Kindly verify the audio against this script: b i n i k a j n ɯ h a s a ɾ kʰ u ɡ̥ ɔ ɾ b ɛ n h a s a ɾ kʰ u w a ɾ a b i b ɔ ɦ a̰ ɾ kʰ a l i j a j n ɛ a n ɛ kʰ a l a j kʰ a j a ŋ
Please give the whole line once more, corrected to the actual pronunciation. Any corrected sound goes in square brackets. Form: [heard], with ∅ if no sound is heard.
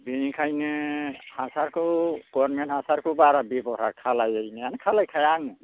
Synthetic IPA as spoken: b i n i [kʰ] a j n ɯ h a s a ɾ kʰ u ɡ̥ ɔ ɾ [m] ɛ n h a s a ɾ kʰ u [b] a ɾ a b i b ɔ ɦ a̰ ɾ kʰ a l [a] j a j n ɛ a n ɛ kʰ a l a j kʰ a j a ŋ